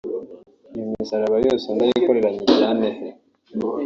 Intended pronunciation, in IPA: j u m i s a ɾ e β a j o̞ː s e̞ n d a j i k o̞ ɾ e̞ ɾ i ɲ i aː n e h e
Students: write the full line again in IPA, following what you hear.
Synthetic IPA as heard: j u m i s a ɾ a β a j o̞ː s e̞ n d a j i k o̞ ɾ e̞ ɾ a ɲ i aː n e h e